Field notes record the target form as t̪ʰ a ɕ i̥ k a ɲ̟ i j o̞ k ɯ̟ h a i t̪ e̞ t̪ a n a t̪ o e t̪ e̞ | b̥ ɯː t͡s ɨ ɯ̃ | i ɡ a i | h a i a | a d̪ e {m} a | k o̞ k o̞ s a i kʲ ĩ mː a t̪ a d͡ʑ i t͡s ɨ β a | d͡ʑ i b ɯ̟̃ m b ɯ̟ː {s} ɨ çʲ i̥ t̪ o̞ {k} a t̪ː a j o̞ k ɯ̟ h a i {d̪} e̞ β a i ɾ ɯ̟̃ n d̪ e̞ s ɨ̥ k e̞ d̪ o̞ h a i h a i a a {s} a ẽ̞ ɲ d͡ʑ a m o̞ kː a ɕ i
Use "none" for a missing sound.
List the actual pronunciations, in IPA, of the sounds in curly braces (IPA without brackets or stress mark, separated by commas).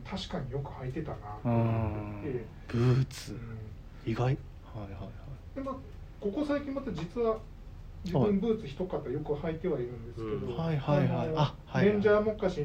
m, t͡s, k, t̪, h